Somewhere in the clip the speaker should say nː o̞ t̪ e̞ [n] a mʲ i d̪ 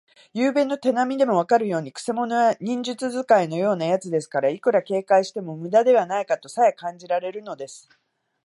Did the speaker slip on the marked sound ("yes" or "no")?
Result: no